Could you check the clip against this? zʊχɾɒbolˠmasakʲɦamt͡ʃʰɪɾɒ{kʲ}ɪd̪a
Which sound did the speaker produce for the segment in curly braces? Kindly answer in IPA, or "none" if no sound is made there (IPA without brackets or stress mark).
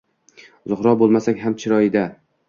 none